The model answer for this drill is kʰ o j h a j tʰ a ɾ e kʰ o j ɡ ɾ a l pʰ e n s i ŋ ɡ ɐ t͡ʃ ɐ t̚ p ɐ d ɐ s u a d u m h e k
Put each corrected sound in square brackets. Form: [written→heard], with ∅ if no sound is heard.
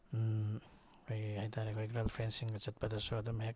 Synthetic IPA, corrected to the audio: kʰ o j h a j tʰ a ɾ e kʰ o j ɡ ɾ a l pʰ e n s i ŋ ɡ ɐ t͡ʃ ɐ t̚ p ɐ d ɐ s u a d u m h e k